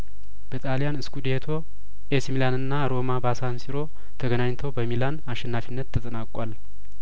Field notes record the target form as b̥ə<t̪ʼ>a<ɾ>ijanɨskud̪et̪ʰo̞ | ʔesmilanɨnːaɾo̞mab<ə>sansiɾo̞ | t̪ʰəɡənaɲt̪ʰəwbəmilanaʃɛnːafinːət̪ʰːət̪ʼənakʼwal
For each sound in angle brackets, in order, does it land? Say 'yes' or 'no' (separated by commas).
yes, no, no